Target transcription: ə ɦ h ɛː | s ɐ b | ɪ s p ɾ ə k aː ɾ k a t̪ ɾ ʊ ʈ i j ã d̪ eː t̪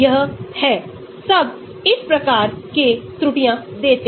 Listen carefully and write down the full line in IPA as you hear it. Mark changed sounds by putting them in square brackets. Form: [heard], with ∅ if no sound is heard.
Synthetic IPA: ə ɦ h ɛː | s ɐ b | ɪ s p ɾ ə k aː ɾ k [e] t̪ ɾ ʊ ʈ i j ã d̪ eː t̪